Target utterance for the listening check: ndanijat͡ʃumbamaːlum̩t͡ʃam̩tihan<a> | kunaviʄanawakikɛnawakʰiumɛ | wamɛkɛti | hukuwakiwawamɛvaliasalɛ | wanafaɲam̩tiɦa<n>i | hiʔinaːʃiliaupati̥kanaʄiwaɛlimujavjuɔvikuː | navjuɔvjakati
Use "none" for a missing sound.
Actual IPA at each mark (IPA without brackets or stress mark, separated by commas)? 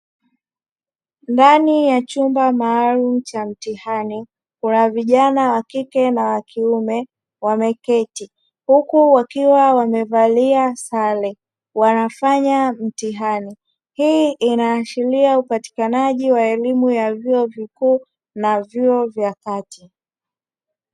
i, n